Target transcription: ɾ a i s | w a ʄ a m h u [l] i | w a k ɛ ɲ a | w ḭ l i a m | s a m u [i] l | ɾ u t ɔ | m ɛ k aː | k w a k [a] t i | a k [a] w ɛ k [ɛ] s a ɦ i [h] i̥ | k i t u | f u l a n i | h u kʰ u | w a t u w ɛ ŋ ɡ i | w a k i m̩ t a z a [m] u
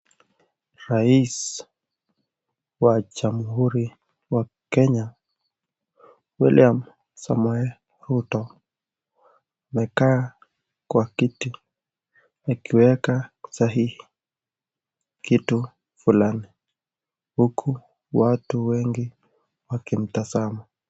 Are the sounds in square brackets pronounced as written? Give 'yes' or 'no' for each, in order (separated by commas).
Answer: no, no, no, no, no, yes, yes